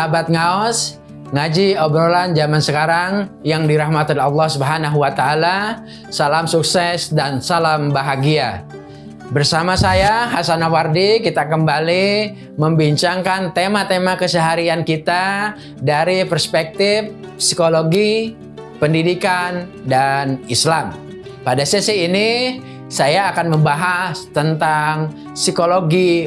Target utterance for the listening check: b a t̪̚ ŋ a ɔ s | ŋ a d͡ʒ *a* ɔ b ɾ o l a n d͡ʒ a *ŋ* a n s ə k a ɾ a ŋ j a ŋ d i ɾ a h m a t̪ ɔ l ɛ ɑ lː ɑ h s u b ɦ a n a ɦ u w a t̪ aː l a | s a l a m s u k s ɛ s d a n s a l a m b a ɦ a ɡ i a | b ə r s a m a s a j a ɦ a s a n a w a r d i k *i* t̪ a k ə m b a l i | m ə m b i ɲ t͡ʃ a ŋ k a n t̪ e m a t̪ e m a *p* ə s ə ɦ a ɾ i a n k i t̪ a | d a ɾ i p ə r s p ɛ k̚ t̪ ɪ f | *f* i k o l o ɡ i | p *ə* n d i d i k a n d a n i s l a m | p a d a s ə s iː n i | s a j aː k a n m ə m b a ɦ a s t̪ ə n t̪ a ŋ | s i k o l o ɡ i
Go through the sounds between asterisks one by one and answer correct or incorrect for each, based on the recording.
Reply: incorrect: i, incorrect: m, correct, incorrect: k, incorrect: s, correct

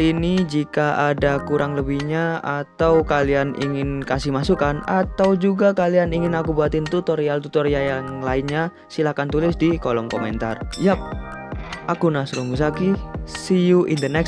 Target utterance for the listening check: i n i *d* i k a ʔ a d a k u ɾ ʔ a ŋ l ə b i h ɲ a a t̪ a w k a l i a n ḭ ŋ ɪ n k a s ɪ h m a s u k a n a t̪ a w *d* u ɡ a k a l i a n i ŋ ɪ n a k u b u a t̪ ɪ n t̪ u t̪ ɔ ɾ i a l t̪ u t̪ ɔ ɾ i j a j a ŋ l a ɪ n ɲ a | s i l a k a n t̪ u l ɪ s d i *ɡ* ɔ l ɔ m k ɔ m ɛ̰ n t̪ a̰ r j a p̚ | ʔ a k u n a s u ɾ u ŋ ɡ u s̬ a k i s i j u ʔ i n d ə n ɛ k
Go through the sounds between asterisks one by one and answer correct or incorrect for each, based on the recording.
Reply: incorrect: d͡ʒ, incorrect: d͡ʒ, incorrect: k

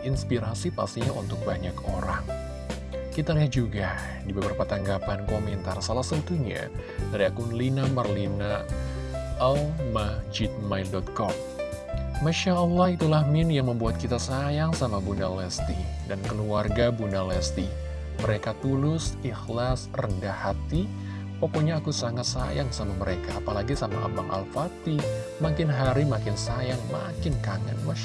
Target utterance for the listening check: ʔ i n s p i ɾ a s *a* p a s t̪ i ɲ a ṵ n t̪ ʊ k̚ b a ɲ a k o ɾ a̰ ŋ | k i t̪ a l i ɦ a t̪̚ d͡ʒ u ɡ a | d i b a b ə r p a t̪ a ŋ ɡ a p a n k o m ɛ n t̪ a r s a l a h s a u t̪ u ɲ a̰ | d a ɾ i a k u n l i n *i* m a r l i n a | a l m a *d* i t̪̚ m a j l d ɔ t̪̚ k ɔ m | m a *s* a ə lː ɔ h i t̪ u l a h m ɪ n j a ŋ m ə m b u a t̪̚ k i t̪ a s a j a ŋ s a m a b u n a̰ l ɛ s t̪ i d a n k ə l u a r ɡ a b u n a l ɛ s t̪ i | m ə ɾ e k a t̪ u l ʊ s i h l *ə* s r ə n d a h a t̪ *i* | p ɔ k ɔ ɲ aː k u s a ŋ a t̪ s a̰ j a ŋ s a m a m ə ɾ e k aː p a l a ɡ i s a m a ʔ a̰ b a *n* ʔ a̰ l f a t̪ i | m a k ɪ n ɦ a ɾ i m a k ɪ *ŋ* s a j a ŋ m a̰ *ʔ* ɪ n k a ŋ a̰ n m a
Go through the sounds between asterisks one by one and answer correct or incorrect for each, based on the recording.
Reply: incorrect: i, incorrect: a, incorrect: d͡ʒ, incorrect: ʃ, incorrect: a, correct, incorrect: ŋ, incorrect: n, incorrect: k

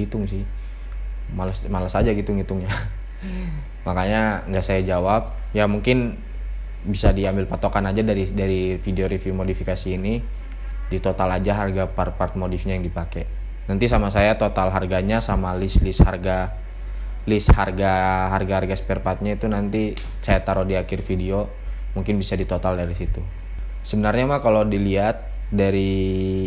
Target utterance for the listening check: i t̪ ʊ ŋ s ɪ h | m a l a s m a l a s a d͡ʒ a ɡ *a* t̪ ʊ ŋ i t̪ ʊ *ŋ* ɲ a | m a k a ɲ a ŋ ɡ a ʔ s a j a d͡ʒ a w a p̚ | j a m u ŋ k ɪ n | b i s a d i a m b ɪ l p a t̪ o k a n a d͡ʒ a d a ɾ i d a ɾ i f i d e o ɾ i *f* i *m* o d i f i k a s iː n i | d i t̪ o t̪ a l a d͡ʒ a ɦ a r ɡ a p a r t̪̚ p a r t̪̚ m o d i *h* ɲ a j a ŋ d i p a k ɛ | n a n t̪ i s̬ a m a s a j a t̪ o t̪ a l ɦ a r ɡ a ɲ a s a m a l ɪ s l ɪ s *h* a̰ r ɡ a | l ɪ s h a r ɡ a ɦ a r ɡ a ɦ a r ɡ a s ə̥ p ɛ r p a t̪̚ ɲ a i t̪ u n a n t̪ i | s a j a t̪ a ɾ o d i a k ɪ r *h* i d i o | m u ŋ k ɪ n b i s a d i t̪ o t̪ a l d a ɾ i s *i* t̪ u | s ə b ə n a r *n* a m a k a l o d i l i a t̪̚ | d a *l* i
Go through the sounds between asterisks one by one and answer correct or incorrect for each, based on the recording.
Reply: incorrect: i, correct, correct, correct, incorrect: f, correct, incorrect: f, correct, incorrect: ɲ, incorrect: ɾ

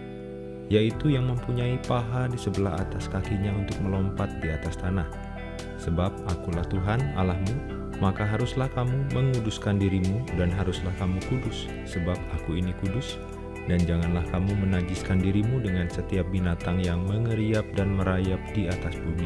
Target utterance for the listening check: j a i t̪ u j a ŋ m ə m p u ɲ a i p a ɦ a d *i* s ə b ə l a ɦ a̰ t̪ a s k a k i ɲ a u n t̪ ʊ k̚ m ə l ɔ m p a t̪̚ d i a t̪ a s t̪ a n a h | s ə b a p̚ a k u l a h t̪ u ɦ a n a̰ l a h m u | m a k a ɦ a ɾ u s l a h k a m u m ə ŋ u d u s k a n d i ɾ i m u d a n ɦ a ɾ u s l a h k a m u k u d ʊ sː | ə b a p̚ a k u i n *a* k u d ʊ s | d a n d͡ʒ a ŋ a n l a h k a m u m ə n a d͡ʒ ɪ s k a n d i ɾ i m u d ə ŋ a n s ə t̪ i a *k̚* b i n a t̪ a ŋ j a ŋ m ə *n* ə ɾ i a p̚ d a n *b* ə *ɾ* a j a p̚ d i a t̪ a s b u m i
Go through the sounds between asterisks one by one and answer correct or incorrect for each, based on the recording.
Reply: correct, incorrect: i, incorrect: p̚, incorrect: ŋ, incorrect: m, correct

